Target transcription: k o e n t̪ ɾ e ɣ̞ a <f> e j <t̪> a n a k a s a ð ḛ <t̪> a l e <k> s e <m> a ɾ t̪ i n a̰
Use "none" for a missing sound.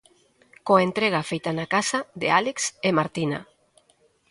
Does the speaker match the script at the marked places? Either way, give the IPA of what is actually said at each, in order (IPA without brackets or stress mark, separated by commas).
f, t̪, none, k, m